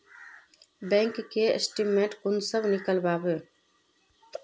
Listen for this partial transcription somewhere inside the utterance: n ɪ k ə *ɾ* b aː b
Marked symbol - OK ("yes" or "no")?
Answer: no